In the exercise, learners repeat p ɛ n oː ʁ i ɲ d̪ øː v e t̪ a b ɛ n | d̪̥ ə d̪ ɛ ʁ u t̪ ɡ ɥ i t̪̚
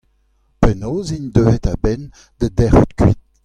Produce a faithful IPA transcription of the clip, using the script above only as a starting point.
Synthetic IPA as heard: p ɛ n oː z i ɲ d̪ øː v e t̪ a b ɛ n | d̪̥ ə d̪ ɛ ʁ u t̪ k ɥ i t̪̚